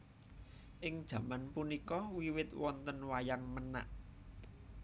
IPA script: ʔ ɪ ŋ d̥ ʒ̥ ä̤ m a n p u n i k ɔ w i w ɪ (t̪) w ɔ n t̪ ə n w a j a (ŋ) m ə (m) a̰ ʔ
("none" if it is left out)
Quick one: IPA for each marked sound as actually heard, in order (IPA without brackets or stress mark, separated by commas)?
t̪, ŋ, n